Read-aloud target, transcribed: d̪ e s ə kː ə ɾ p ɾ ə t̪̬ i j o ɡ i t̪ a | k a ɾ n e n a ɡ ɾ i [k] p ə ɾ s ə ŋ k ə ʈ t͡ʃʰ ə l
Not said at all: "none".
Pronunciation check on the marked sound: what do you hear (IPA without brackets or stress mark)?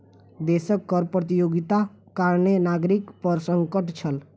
k